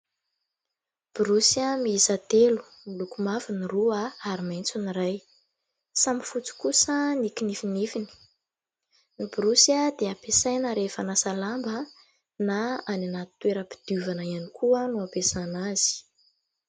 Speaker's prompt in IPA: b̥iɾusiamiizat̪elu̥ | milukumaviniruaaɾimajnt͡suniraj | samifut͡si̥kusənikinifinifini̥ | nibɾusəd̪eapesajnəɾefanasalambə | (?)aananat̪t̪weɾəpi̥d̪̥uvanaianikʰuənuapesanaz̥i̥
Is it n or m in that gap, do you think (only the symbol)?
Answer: n